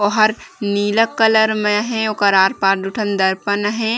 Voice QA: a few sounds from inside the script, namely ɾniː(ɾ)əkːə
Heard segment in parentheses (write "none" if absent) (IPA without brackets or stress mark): l